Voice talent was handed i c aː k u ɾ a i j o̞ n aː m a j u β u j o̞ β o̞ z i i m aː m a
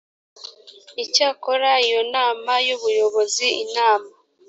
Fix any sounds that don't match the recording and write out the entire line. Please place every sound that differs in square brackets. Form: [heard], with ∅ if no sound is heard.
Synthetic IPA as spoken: i c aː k [o] ɾ a i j o̞ n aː m a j u β u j o̞ β o̞ z i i [n] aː m a

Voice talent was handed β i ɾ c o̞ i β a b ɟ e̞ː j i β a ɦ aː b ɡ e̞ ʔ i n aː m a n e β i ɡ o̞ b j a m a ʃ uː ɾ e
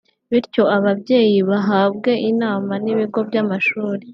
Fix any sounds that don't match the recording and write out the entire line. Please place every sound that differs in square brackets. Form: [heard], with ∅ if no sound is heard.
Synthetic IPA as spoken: β i ɾ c o̞ [a] β a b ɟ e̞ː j i β a ɦ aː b ɡ e̞ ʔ i n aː m a n [i] β i ɡ o̞ b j a m a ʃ uː ɾ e

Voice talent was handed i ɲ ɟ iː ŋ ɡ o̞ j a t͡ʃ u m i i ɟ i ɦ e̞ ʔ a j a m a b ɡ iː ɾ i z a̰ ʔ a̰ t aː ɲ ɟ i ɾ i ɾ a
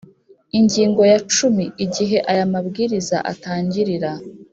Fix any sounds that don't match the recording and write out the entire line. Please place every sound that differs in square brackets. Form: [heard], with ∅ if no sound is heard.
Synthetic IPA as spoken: i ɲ ɟ iː ŋ ɡ o̞ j a t͡ʃ u m i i ɟ i ɦ e̞ ʔ a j a m a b ɡ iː ɾ i z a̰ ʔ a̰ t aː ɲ ɟ i ɾ i ɾ a

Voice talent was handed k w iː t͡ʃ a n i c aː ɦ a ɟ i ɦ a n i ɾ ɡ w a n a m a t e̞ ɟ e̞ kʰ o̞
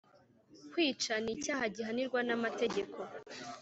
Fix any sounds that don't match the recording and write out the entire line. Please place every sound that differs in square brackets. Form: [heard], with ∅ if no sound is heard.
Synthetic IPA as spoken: k w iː t͡ʃ a n i c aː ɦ a ɟ i ɦ a n i ɾ ɡ w a n a m a t e̞ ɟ e̞ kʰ o̞

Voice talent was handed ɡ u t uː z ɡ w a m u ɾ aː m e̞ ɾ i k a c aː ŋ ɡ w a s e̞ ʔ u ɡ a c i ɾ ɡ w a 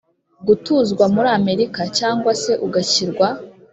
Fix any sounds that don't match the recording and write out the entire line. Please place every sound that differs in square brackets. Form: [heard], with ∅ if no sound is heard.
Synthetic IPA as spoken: ɡ u t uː z ɡ w a m u ɾ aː m e̞ ɾ i k a c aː ŋ ɡ w a s e̞ ʔ u ɡ a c i ɾ ɡ w a

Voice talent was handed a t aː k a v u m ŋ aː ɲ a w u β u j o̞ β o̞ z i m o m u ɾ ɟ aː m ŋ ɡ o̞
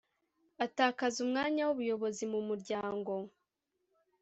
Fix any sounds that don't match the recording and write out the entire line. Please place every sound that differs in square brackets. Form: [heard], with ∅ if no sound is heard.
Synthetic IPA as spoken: a t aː k a [z] u m ŋ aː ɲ a w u β u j o̞ β o̞ z i m [u] m u ɾ ɟ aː [∅] ŋ ɡ o̞

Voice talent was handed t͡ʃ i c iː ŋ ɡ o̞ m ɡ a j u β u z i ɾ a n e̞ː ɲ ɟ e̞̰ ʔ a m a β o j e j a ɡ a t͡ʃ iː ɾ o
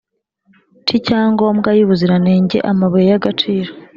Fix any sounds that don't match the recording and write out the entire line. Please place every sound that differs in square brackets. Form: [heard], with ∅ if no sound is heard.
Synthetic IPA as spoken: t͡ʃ i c [aː] ŋ ɡ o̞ m ɡ a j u β u z i ɾ a n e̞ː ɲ ɟ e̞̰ ʔ a m a β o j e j a ɡ a t͡ʃ iː ɾ o

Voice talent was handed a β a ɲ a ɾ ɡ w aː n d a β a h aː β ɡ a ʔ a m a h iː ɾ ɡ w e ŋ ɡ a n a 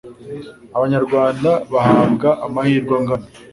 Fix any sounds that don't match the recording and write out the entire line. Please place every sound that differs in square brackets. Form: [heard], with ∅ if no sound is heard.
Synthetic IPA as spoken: a β a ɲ a ɾ ɡ w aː n d a β a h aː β ɡ a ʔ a m a h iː ɾ ɡ w [a] ŋ ɡ a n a

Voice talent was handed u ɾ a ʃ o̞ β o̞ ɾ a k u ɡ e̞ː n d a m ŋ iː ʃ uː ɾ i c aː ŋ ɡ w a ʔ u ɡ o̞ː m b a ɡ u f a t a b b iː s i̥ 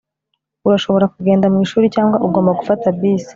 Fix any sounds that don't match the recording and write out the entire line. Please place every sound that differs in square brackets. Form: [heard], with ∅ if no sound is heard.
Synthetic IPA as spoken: u ɾ a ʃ o̞ β o̞ ɾ a k u ɡ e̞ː n d a m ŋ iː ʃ uː ɾ i c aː ŋ ɡ w a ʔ u ɡ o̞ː m b a ɡ u f a t a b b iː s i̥

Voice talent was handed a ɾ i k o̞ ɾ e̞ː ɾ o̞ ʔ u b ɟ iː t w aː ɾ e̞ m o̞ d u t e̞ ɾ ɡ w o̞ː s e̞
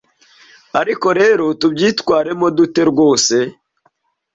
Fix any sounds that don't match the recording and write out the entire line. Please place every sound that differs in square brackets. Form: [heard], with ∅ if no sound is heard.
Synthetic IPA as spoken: a ɾ i k o̞ ɾ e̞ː ɾ o̞ [t] u b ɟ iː t w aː ɾ e̞ m o̞ d u t e̞ ɾ ɡ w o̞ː s e̞

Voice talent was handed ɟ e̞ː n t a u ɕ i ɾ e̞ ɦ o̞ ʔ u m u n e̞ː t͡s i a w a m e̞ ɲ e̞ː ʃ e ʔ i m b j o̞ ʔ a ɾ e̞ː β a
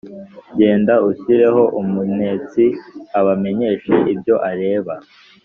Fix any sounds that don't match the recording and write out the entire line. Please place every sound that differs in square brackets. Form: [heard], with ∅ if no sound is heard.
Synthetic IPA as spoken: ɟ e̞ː n [d] a u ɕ i ɾ e̞ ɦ o̞ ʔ u m u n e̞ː t͡s i a [β] a m e̞ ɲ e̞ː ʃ e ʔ i [∅] b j o̞ ʔ a ɾ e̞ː β a

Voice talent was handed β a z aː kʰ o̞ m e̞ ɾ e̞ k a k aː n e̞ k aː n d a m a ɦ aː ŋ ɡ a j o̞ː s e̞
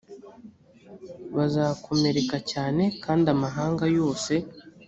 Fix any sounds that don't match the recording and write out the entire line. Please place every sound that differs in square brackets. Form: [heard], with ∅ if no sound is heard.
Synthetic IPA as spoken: β a z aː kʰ o̞ m e̞ ɾ e̞ k a [c] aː n e̞ k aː n d a m a ɦ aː ŋ ɡ a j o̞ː s e̞

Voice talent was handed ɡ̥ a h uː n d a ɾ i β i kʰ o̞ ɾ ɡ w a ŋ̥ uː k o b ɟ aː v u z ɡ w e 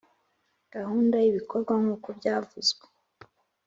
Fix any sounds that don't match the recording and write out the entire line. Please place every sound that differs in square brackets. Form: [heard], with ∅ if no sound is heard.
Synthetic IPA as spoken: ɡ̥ a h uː n d a [∅] i β i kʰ o̞ ɾ ɡ w a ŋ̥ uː k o b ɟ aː v u z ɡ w e

